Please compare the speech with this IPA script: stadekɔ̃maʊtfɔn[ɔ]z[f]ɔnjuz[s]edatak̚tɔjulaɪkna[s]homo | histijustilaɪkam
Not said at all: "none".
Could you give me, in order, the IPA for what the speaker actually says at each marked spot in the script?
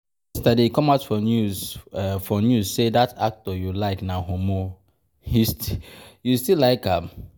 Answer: u, f, s, none

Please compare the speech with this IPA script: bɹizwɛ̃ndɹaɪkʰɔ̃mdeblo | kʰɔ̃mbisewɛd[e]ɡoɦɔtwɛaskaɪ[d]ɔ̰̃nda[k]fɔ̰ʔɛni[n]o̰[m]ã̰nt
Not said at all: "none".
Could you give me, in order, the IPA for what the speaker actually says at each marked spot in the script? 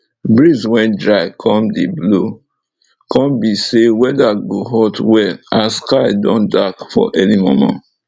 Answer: a, d, k, m, m

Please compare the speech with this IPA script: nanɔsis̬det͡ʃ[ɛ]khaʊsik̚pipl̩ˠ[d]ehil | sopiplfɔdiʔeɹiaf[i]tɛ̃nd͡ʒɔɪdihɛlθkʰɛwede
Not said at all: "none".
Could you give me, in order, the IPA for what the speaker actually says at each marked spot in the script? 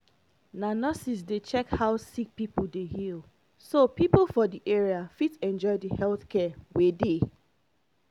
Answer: ɛ, d, i

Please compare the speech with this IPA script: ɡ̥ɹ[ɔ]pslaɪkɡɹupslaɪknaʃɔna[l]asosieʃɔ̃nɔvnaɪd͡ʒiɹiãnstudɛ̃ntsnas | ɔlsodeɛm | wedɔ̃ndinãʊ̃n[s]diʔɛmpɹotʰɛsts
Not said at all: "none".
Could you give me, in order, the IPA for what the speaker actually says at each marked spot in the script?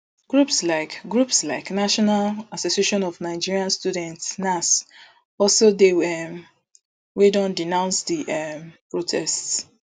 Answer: u, l, s

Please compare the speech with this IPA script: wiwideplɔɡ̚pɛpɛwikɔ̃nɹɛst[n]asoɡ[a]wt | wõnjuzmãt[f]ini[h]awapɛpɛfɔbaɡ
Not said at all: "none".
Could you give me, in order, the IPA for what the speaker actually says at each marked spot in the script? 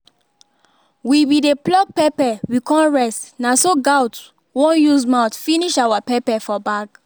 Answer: n, a, f, ʃ

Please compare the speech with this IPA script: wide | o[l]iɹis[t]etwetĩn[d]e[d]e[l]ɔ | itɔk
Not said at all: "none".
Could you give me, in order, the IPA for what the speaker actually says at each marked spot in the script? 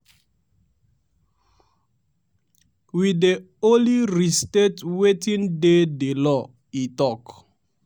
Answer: l, t, d, d, l

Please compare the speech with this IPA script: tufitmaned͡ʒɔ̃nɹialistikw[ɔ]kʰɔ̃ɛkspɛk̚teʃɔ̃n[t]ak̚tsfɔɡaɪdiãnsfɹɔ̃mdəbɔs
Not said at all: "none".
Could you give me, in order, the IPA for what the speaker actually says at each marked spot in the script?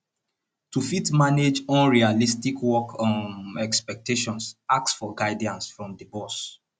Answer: ɔ, s

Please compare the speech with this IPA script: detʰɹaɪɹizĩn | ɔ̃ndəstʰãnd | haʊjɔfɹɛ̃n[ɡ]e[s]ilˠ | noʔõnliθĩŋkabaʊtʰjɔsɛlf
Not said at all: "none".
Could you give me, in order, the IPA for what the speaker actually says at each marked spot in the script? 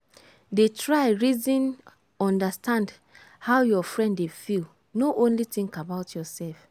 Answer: d, f

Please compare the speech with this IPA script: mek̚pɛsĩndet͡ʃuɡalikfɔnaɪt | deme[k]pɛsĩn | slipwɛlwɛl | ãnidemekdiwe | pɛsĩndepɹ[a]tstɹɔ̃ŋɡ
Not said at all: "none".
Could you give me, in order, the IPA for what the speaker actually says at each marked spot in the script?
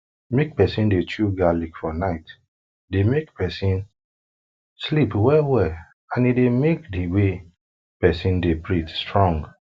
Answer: k, i

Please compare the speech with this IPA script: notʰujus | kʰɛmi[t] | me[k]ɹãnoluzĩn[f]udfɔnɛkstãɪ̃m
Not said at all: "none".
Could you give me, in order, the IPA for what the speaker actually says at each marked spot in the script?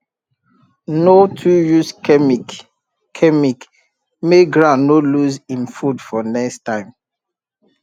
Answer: k, ɡ, f

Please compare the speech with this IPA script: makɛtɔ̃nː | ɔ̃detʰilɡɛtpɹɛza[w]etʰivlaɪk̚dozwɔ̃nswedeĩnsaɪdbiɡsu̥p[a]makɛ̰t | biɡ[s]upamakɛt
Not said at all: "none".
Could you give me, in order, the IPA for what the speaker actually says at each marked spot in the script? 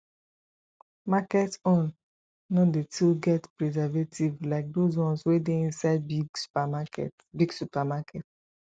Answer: v, a, s

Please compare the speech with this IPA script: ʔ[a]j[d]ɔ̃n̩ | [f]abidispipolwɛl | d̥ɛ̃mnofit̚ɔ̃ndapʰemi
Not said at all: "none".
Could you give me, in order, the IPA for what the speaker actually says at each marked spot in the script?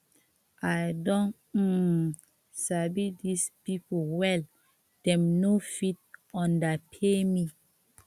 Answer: a, d, s

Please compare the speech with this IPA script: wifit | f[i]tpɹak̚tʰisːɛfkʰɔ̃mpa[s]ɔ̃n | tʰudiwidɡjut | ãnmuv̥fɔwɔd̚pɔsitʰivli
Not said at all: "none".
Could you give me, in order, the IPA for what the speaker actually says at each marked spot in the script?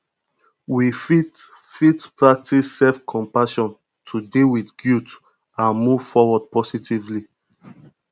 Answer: i, ʃ

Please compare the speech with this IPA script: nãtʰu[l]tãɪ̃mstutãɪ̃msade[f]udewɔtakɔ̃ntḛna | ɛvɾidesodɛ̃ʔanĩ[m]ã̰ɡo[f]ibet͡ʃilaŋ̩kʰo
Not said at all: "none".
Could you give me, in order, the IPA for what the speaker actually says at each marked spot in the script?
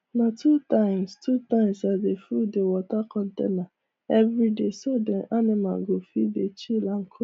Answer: none, f, m, f

